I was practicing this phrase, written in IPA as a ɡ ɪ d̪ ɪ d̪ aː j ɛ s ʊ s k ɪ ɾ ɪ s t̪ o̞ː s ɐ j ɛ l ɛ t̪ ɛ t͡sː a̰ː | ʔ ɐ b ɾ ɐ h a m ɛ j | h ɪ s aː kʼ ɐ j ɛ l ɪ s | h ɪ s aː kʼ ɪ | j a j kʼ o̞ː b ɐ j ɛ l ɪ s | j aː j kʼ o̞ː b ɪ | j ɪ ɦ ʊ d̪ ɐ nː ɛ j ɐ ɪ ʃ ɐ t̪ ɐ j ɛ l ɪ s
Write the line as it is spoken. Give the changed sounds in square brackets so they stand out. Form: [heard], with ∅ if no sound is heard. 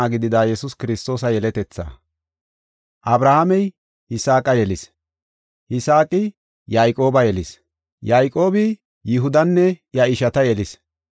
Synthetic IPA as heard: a ɡ ɪ d̪ ɪ d̪ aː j ɛ s ʊ s k ɪ ɾ ɪ s t̪ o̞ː s ɐ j ɛ l ɛ t̪ ɛ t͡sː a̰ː | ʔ ɐ b ɾ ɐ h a m ɛ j | h ɪ s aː kʼ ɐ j ɛ l ɪ s | h ɪ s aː kʼ ɪ | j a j kʼ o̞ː b ɐ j ɛ l ɪ s | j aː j kʼ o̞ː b ɪ | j ɪ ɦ ʊ d̪ ɐ nː ɛ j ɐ ɪ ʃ ɐ t̪ ɐ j ɛ l ɪ s

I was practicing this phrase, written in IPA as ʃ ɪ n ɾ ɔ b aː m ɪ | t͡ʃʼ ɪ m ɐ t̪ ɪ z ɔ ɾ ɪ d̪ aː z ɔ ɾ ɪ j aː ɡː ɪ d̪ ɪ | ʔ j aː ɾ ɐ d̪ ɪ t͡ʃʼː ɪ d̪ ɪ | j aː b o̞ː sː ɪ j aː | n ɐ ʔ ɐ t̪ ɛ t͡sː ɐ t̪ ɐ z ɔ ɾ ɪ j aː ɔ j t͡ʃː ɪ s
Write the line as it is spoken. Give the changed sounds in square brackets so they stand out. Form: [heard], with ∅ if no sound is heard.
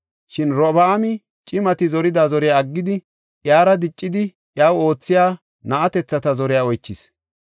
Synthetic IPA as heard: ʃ ɪ n ɾ ɔ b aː m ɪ | t͡ʃʼ ɪ m ɐ t̪ ɪ z ɔ ɾ ɪ d̪ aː z ɔ ɾ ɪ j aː ɡː ɪ d̪ ɪ | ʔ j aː ɾ ɐ d̪ ɪ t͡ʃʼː ɪ d̪ ɪ | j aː [w] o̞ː [t͡sː] ɪ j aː | n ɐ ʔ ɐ t̪ ɛ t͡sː ɐ t̪ ɐ z ɔ ɾ ɪ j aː ɔ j t͡ʃː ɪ s

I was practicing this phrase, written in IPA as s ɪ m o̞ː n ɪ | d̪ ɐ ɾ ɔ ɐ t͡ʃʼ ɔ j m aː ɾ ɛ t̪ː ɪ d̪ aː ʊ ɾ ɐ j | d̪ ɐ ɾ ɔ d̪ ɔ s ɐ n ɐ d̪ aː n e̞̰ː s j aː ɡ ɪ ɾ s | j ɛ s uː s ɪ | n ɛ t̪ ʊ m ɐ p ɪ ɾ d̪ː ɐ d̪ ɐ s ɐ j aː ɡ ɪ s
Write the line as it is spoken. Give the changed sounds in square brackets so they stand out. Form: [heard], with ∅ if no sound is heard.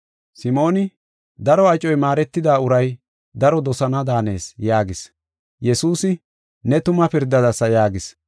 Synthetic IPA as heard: s ɪ m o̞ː n ɪ | d̪ ɐ ɾ ɔ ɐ t͡ʃʼ ɔ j m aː ɾ ɛ t̪ː ɪ d̪ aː ʊ ɾ ɐ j | d̪ ɐ ɾ ɔ d̪ ɔ s ɐ n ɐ d̪ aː n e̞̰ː s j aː ɡ ɪ [∅] s | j ɛ s uː s ɪ | n ɛ t̪ ʊ m ɐ p ɪ ɾ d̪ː ɐ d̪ ɐ s ɐ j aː ɡ ɪ s

